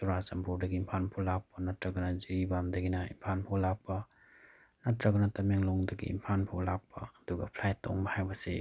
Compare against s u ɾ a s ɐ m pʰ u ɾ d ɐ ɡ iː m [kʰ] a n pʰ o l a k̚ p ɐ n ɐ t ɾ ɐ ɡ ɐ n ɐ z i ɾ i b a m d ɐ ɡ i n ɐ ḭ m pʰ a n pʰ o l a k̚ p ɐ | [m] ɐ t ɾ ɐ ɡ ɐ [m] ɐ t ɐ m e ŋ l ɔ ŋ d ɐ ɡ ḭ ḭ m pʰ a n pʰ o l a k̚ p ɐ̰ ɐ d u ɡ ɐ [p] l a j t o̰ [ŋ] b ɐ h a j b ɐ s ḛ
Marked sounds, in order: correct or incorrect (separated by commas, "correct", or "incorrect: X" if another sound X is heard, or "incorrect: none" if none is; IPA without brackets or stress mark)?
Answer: incorrect: pʰ, incorrect: n, incorrect: n, incorrect: pʰ, correct